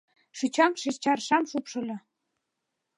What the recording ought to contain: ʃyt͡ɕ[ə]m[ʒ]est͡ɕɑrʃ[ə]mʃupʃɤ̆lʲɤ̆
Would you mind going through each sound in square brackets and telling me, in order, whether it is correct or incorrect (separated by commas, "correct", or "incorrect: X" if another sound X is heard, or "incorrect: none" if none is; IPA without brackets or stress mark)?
incorrect: ɑ, incorrect: ʃ, incorrect: ɑ